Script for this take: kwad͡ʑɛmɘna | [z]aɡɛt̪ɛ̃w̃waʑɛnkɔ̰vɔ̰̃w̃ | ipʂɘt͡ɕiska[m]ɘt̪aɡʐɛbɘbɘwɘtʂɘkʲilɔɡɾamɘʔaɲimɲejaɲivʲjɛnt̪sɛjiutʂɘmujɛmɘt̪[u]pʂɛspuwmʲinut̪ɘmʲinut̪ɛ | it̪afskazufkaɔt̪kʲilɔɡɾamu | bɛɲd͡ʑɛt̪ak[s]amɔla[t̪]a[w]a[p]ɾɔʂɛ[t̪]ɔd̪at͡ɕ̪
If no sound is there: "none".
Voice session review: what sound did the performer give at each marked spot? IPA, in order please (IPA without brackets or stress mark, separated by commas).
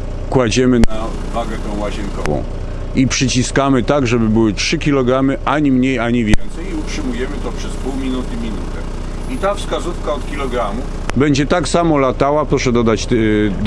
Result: v, m, ɔ, s, t̪, w, p, d̪